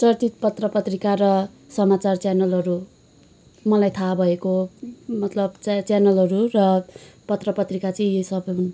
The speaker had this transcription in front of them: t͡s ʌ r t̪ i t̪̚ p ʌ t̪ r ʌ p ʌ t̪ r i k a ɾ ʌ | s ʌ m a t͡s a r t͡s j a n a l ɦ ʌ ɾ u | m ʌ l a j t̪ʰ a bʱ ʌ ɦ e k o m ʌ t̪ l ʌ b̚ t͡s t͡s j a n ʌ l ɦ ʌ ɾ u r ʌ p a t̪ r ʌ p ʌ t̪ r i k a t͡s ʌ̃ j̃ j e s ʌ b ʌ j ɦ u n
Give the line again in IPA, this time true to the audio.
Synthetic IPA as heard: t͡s ʌ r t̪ i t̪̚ p ʌ t̪ r ʌ p ʌ t̪ r i k a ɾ ʌ | s ʌ m a t͡s a r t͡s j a n ʌ l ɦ ʌ ɾ u | m ʌ l a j t̪ʰ a bʱ ʌ e k o m ʌ t̪ l ʌ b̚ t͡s t͡s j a n ʌ l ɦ ʌ ɾ u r ʌ p ʌ t̪ r ʌ p ʌ t̪ r i k a t͡s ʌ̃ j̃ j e s ʌ b ʌ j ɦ u n

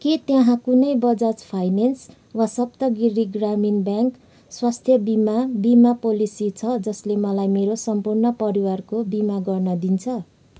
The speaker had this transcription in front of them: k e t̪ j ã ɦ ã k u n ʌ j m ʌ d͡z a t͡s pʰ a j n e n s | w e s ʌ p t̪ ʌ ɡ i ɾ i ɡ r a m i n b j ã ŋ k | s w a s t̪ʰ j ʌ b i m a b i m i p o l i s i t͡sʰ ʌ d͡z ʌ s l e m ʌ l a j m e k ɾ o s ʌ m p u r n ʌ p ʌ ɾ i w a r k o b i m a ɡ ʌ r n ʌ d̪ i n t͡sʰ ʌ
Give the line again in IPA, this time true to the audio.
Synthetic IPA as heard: k e t̪ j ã ɦ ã k u n ʌ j b ʌ d͡z a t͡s pʰ a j n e n s | w a s ʌ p t̪ ʌ ɡ i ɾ i ɡ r a m i n b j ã ŋ k | s w a s t̪ʰ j ʌ b i m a b i m a p o l i s i t͡sʰ ʌ d͡z ʌ s l e m ʌ l a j m e ɾ o s ʌ m p u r n ʌ p ʌ ɾ i w a r k o b i m a ɡ ʌ r n ʌ d̪ i n t͡sʰ ʌ

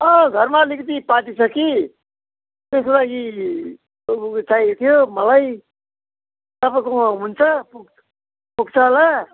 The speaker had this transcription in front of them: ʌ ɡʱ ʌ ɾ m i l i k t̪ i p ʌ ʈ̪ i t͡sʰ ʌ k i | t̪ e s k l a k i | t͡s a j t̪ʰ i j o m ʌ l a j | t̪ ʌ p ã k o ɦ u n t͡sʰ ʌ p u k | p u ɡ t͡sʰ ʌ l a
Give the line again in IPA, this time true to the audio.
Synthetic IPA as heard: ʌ ɡʱ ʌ ɾ m a l i k t̪ i p a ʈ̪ i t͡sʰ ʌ k i | t̪ e s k l a ɡ i | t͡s a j t̪ʰ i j o m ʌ l a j | t̪ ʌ p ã k o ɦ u n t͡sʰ ʌ p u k | p u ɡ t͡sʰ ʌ l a

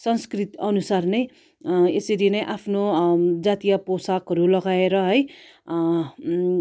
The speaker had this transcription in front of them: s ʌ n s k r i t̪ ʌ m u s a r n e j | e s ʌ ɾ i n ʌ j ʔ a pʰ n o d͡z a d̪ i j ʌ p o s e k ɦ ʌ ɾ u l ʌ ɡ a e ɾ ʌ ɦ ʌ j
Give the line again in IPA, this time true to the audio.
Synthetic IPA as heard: s ʌ n s k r i t̪ ʌ n u s a r n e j | e s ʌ ɾ i n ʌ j ʔ a pʰ n o d͡z a t̪ i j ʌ p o s a k ɦ ʌ ɾ u l ʌ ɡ a e ɾ ʌ ɦ ʌ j

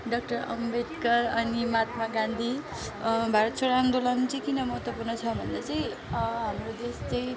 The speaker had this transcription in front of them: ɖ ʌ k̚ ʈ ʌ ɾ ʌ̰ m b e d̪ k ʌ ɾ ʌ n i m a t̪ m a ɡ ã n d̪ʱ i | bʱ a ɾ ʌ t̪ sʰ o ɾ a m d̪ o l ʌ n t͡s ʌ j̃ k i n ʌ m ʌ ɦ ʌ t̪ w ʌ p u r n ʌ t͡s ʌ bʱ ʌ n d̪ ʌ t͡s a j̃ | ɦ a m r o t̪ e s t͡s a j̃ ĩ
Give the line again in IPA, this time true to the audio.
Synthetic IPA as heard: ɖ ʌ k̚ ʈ ʌ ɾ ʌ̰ m b e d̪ k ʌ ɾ ʌ n i m a t̪ m a ɡ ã n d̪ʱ i | bʱ a ɾ ʌ t̪ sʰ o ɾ a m d̪ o l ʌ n t͡s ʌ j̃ k i n ʌ m ʌ ɦ ʌ t̪ w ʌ p u r n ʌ t͡sʰ ʌ bʱ ʌ n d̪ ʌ t͡s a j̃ | ɦ a m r o d̪ e s t͡s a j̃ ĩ

